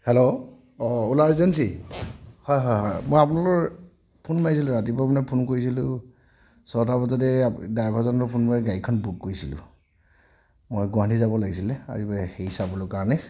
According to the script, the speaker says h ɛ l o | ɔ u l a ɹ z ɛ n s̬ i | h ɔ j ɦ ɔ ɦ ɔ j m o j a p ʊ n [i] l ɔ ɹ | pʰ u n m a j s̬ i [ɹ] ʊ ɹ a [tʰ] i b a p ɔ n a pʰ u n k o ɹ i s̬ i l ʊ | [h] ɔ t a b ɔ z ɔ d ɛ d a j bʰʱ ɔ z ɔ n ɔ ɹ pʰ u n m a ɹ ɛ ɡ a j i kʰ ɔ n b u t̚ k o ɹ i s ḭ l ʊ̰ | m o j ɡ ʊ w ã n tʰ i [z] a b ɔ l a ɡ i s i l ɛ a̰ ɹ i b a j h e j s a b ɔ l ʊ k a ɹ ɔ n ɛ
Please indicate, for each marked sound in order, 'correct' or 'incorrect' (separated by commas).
incorrect, incorrect, incorrect, incorrect, correct